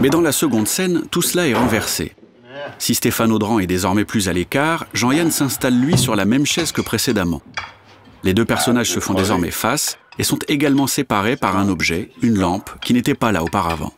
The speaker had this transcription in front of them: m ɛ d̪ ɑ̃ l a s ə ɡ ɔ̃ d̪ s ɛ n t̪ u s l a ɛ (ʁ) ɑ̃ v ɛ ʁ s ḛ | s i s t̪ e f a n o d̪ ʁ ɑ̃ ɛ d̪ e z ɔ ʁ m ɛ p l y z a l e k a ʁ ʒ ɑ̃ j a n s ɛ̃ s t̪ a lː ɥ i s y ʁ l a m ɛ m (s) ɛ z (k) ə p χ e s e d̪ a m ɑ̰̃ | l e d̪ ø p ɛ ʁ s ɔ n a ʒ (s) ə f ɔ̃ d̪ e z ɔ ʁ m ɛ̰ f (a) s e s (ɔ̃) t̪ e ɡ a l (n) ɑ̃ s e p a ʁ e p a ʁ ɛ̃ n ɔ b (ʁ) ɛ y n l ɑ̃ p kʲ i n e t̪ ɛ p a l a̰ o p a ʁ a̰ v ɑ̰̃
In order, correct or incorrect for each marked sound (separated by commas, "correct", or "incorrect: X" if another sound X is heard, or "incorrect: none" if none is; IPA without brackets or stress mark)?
correct, incorrect: ʃ, correct, correct, correct, correct, incorrect: m, incorrect: ʒ